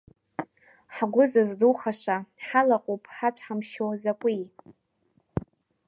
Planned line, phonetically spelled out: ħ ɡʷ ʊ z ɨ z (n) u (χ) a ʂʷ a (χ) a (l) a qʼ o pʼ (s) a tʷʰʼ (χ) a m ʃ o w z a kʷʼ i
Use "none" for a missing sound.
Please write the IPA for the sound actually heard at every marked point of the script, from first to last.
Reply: d, χ, ħ, l, ħ, ħ

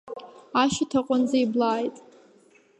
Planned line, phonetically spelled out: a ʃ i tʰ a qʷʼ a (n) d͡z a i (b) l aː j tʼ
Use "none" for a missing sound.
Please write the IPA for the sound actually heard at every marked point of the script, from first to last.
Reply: n, b

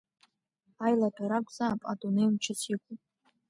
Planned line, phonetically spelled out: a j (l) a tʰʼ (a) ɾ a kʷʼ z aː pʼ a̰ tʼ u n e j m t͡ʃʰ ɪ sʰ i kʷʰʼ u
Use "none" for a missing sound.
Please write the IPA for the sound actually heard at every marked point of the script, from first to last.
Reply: l, a

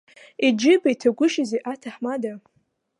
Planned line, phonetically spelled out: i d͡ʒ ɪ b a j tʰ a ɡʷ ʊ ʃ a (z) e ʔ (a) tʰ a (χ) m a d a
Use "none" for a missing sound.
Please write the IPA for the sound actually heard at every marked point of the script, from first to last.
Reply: z, a, ħ

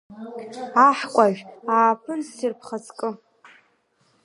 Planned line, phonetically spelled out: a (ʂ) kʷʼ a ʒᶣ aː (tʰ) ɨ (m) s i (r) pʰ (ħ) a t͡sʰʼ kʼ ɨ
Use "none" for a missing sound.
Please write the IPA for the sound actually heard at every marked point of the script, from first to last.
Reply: ħ, pʰ, n, r, χ

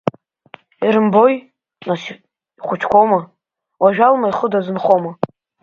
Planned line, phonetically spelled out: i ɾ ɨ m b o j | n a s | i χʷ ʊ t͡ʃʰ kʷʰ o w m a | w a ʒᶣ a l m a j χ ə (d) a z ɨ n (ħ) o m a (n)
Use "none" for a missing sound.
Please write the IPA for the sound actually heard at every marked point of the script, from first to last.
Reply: d, χ, none

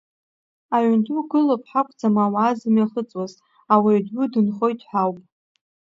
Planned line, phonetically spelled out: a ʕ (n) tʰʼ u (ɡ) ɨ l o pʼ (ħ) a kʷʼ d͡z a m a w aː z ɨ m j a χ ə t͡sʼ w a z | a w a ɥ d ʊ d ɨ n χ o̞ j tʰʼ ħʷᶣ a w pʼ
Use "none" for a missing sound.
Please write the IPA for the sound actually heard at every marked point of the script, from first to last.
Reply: n, ɡ, ħ

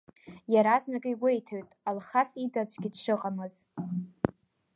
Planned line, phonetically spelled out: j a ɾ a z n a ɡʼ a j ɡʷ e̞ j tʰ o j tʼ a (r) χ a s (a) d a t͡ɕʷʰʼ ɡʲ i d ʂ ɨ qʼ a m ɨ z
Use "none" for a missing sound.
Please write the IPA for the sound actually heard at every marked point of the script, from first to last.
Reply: l, i

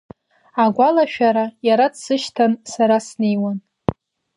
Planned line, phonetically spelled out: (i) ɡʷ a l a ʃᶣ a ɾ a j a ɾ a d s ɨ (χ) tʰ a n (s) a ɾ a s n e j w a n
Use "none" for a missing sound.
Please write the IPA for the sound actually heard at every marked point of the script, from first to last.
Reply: a, ʃ, s

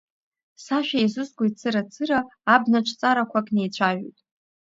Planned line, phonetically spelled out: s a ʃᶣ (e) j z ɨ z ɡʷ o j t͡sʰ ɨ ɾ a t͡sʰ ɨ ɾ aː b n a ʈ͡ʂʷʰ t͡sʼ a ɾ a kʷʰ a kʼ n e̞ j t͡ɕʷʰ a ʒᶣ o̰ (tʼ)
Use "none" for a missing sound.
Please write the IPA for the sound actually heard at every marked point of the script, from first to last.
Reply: a, tʼ

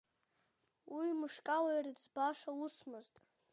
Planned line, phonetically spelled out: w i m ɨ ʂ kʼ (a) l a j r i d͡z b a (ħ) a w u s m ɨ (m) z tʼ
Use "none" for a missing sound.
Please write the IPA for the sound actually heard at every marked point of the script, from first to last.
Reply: a, ʂ, none

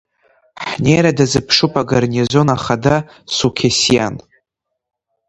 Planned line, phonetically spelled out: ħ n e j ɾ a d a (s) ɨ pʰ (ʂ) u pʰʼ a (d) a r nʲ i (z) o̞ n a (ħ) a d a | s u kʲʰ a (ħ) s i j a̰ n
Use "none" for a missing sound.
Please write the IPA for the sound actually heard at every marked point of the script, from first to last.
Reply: z, ʂ, ɡ, z, χ, none

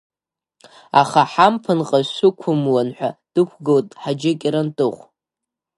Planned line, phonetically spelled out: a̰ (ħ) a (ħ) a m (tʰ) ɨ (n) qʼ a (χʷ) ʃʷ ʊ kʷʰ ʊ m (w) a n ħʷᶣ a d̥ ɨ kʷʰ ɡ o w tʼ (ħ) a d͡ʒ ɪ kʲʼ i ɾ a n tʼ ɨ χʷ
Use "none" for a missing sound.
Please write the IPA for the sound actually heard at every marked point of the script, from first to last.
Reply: χ, ħ, pʰ, n, none, w, ħ

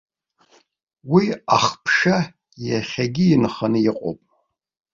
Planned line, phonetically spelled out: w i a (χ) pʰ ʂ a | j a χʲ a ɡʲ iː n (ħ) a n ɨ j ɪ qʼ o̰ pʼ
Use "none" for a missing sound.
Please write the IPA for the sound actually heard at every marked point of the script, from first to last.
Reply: χ, χ

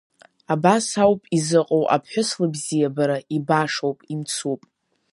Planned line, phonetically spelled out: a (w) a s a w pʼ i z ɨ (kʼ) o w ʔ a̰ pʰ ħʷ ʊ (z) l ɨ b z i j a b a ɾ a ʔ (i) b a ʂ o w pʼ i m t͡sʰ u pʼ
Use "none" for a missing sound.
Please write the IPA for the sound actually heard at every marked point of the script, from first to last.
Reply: b, qʼ, s, i

